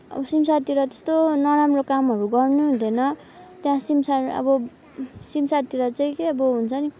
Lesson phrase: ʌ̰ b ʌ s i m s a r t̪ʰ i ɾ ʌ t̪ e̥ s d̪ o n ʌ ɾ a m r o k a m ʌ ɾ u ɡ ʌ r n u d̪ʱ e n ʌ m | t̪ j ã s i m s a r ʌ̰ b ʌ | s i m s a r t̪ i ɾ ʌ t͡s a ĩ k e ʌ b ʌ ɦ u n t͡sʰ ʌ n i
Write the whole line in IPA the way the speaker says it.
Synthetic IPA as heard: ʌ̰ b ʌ s i m s a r t̪ i ɾ ʌ t̪ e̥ s t̪ o n ʌ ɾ a m r o k a m ʌ ɾ u ɡ ʌ r n u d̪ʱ e n ʌ | t̪ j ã s i m s a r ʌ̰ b ʌ | s i m s a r t̪ i ɾ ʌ t͡s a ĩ k e ʌ b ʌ ɦ u n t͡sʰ ʌ n i